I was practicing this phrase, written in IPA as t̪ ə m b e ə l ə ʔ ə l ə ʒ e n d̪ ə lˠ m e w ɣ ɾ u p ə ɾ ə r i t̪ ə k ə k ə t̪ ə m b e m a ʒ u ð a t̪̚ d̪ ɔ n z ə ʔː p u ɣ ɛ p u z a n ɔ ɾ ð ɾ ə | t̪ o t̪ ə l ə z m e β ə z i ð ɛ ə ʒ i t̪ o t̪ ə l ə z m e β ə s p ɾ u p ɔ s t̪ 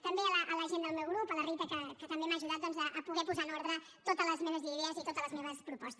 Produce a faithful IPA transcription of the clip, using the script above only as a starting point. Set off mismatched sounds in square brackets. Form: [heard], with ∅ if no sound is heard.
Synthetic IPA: t̪ ə m b e ə l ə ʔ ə l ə ʒ e n d̪ ə lˠ m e w ɣ ɾ u p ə [l] ə r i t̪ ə k ə k ə t̪ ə m b e m a ʒ u ð a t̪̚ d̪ ɔ n z ə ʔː p u ɣ ɛ p u z a n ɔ ɾ ð ɾ ə | t̪ o t̪ ə l ə z m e β ə z i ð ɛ ə [z] i t̪ o t̪ ə l ə z m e β ə s p ɾ u p ɔ s t̪